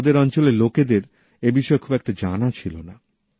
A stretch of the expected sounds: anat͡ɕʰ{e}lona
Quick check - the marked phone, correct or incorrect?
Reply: incorrect